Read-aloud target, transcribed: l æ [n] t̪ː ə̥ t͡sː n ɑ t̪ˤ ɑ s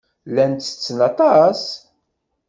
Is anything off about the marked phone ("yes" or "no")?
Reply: no